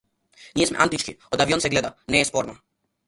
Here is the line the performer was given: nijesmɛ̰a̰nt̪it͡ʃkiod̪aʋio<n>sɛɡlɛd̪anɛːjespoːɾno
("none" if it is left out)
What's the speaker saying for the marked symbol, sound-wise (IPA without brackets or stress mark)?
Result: n